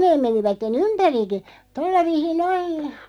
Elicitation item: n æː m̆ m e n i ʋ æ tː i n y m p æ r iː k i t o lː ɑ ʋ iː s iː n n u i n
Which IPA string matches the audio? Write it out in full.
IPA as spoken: n eː m̆ m e n i ʋ æ tː e n y m p æ r i k i t o lː ɑ ʋ iː s i n n o i n